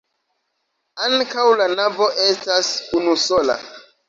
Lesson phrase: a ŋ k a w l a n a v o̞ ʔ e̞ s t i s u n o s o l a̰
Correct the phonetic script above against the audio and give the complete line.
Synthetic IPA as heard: a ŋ k a w l a n a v o̞ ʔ e̞ s t a s u n u s o l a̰